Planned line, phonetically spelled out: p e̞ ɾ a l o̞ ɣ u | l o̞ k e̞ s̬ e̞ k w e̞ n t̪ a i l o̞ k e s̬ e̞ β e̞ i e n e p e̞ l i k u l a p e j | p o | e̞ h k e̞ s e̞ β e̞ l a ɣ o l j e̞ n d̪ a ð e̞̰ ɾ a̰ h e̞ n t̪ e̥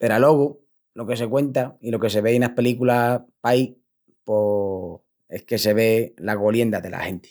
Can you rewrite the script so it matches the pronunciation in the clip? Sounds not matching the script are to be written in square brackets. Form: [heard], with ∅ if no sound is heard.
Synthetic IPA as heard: p e̞ ɾ a l o̞ ɣ u | l o̞ k e̞ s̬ e̞ k w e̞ n t̪ a i l o̞ k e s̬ e̞ β e̞ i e n [a] p e̞ l i k u l a p [a] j | p o | e̞ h k e̞ s e̞ β e̞ l a ɣ o l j e̞ n d̪ a ð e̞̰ [l] a̰ h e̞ n t̪ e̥